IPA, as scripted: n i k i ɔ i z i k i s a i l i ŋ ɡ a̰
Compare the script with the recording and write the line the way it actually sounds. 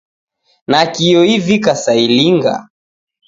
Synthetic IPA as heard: n a k i ɔ i v i k a s a i l i ŋ ɡ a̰